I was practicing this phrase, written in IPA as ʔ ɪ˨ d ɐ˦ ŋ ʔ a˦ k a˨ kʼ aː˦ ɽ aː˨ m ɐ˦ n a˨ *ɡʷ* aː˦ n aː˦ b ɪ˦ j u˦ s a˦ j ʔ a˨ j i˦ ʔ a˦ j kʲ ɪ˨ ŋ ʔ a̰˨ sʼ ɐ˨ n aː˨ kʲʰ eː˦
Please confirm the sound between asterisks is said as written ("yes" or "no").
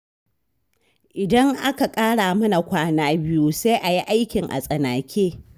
no